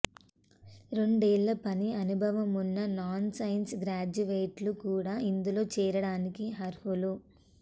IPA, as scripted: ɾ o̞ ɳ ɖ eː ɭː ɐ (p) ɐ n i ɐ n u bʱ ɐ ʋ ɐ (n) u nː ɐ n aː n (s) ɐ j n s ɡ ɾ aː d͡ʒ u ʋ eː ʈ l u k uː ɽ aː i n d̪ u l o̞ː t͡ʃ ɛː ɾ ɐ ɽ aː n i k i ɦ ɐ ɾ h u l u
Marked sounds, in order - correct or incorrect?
correct, incorrect: m, correct

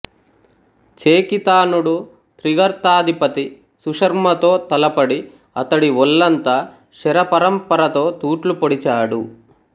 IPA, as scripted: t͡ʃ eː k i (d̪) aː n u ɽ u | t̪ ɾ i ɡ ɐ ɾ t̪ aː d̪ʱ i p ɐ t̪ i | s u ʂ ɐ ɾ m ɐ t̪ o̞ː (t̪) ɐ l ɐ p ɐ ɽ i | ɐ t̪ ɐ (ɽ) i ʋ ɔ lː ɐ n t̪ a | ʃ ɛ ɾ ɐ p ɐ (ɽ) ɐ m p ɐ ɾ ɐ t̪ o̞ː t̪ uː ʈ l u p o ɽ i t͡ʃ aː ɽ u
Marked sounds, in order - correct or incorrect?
incorrect: t̪, correct, correct, incorrect: ɾ

